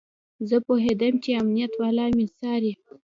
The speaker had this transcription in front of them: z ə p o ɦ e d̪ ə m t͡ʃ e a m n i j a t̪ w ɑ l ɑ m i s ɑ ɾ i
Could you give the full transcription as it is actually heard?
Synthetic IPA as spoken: z ə p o ɦ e d̪ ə m t͡ʃ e a m n i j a t̪ w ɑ l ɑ m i s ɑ ɾ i

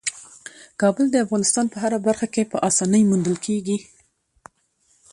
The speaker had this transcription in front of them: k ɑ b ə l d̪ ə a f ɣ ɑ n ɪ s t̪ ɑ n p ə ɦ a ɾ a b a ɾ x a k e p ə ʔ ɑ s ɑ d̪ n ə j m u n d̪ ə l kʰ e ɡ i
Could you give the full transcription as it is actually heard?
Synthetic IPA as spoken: k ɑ b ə l d̪ ə a f ɣ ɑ n ɪ s t̪ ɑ n p ə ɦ a ɾ a b a ɾ x a k e p ə ʔ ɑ s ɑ n ə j m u n d̪ ə l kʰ e ɡ i

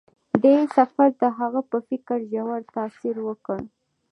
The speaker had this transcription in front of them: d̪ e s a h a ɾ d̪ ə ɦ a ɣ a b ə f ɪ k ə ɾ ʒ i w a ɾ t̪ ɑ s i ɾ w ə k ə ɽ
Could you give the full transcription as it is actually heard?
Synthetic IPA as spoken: d̪ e s a f a ɾ d̪ ə ɦ a ɣ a p ə f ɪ k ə ɾ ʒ a w a ɾ t̪ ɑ s i ɾ w ə k ə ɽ

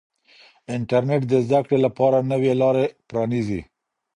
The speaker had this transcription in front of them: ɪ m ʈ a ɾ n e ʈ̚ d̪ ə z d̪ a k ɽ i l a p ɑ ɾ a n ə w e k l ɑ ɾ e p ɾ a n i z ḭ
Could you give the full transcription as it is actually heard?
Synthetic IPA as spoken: ɪ ɳ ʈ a ɾ n e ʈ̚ d̪ ə z d̪ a k ɽ e l a p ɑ ɾ a n ə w e l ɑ ɾ e p ɾ ɑ n i z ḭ

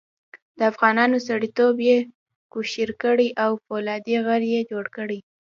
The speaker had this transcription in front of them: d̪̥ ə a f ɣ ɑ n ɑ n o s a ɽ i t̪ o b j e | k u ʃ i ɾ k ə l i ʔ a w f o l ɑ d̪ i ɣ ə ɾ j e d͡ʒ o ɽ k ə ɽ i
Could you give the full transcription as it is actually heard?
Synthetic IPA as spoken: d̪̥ ə a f ɣ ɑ n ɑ n o s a ɽ i t̪ o b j e | k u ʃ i ɾ k ə ɽ i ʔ a w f o l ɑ d̪ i ɣ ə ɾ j e d͡ʒ o ɽ k ə ɽ i

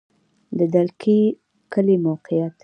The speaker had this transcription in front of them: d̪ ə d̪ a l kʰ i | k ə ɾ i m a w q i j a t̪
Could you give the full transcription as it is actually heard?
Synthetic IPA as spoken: d̪ ə d̪ a l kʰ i | k ə l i m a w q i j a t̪

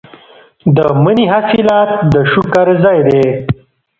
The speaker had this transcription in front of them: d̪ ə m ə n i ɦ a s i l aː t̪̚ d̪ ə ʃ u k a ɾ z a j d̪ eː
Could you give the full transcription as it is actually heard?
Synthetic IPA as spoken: d̪ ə m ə n i ɦ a s i l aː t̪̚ d̪ ə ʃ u k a ɾ z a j d̪ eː

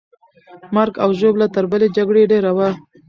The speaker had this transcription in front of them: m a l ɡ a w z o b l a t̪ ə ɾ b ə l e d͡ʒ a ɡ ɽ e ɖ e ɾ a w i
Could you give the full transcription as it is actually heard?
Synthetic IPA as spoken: m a ɾ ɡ a w ʒ o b l a t̪ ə ɾ b ə l e d͡ʒ a ɡ ɽ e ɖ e ɾ a w a

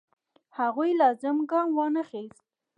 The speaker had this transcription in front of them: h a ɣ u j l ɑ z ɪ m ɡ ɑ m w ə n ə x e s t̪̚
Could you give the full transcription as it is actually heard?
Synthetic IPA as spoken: h a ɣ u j l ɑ z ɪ m ɡ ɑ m w ɑ n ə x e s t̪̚

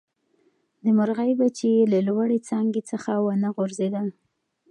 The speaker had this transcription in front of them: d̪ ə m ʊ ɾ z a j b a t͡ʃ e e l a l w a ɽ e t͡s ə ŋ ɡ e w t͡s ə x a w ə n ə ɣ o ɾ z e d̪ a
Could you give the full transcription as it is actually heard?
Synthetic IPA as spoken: d̪ ə m ʊ ɾ ɣ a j b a t͡ʃ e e l a l w a ɽ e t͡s ɑ ŋ ɡ e t͡s ə x a w ə n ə ɣ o ɾ z e d̪ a

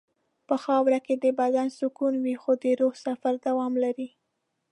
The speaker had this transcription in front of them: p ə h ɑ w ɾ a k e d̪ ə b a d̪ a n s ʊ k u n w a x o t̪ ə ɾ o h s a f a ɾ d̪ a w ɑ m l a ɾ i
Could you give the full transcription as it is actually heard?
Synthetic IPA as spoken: p ə x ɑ w ɾ a k e d̪ ə b a d̪ a n s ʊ k u n w i x o d̪ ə ɾ o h s a f a ɾ d̪ a w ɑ m l a ɾ i

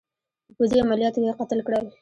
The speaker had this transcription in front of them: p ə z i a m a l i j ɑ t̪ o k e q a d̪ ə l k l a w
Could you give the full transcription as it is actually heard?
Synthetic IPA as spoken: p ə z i a m a l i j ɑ t̪ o k e q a t̪ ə l k ɽ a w

